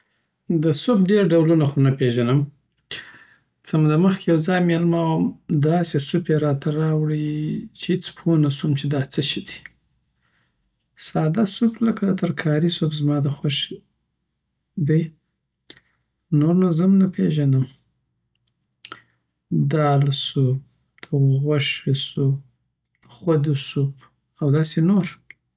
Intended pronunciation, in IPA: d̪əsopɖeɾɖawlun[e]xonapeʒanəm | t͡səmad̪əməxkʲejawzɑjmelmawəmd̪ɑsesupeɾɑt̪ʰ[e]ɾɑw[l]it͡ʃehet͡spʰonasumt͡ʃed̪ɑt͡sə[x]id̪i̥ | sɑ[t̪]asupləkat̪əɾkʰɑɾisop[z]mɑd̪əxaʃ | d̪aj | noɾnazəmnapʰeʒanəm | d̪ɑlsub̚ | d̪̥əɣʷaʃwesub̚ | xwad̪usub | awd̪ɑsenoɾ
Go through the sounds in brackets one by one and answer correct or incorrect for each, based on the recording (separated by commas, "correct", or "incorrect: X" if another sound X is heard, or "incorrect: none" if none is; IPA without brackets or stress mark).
incorrect: a, incorrect: a, incorrect: ɽ, incorrect: ʃ, incorrect: d̪, correct